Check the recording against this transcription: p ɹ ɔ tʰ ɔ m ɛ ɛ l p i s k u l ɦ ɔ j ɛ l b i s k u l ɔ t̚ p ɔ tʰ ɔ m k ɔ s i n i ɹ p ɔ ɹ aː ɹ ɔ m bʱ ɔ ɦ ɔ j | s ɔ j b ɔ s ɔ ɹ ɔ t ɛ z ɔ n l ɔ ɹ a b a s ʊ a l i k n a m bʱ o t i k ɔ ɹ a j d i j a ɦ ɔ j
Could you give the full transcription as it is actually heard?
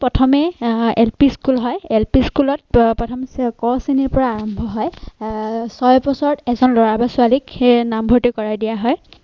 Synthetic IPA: p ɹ ɔ tʰ ɔ m ɛ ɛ l p i s k u l ɦ ɔ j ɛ l p i s k u l ɔ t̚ p ɔ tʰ ɔ m k ɔ s i n i ɹ p ɔ ɹ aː ɹ ɔ m bʱ ɔ ɦ ɔ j | s ɔ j b ɔ s ɔ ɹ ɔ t ɛ z ɔ n l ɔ ɹ a b a s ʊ a l i k n a m bʱ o t i k ɔ ɹ a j d i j a ɦ ɔ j